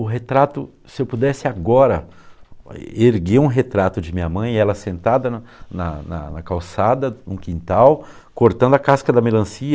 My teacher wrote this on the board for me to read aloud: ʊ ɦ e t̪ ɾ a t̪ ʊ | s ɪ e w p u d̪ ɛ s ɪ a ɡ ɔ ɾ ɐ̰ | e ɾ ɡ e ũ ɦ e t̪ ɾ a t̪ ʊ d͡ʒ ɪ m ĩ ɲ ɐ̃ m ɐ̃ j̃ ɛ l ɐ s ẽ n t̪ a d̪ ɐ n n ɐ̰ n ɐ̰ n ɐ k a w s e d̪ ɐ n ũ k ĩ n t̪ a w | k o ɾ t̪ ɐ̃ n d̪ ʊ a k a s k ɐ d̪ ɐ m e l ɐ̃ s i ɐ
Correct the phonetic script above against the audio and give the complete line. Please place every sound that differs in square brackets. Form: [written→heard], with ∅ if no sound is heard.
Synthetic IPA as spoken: ʊ ɦ e t̪ ɾ a t̪ ʊ | s ɪ e w p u d̪ ɛ s ɪ a ɡ ɔ ɾ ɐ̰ | e ɾ ɡ e ũ ɦ e t̪ ɾ a t̪ ʊ d͡ʒ ɪ m ĩ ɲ [ɐ̃→ɐ] m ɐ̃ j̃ ɛ l ɐ s ẽ n t̪ a d̪ ɐ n n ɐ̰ n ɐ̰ n ɐ k a w s [e→a] d̪ ɐ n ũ k ĩ n t̪ a w | k o ɾ t̪ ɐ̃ n d̪ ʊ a k a s k ɐ d̪ ɐ m e l ɐ̃ s i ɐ